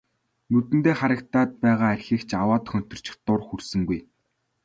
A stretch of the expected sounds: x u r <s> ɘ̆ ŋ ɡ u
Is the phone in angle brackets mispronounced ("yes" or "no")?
no